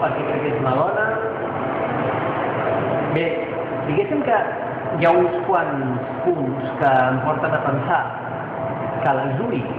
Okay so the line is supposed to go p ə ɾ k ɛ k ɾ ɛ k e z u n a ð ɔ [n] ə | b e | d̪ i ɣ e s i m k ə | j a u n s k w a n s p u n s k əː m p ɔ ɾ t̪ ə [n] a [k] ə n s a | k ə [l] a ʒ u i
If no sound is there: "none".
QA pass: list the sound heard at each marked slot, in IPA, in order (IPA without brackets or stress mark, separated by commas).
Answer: n, n, p, l